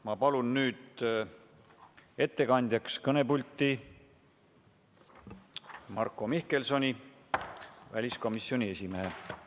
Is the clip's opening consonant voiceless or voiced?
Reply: voiced